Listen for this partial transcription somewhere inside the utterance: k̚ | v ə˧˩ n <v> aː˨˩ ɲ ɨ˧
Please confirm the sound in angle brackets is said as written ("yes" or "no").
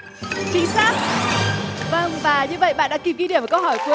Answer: yes